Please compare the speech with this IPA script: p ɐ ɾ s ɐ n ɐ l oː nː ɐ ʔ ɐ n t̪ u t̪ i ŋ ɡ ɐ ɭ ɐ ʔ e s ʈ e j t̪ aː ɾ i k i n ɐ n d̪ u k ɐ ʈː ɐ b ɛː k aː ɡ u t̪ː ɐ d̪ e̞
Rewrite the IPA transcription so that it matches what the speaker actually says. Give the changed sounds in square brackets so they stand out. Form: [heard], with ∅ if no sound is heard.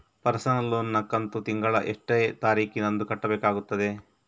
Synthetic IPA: p ɐ ɾ s ɐ n ɐ l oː nː ɐ [k] ɐ n t̪ u t̪ i ŋ ɡ ɐ ɭ ɐ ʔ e [ʂ] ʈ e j t̪ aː ɾ [iː] k i n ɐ n d̪ u k ɐ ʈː ɐ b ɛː k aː ɡ u t̪ː ɐ d̪ e̞